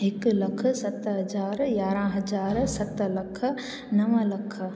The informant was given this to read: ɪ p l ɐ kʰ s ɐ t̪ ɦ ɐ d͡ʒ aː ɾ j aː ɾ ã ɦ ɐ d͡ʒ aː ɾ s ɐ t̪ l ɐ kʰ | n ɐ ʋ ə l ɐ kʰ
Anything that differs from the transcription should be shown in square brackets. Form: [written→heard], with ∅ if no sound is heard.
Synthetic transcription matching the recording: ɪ [p→k] l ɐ kʰ s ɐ t̪ ɦ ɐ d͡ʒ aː ɾ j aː ɾ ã ɦ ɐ d͡ʒ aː ɾ s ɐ t̪ l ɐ kʰ | n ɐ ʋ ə l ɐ kʰ